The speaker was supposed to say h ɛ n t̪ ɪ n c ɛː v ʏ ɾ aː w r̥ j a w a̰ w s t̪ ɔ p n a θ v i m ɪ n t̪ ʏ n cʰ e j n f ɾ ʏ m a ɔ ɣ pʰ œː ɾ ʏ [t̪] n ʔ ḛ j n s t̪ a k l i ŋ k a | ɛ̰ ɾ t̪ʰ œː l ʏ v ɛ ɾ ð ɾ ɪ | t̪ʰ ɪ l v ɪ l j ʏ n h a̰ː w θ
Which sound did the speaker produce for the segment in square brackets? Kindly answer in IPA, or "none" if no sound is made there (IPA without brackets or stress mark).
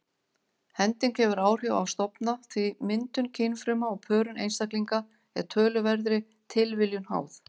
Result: none